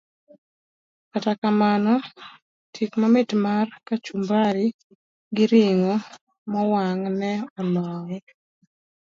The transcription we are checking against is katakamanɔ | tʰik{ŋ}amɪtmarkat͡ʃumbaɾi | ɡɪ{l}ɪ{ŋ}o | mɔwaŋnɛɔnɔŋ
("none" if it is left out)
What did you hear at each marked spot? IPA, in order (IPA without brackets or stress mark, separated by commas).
m, ɾ, ŋ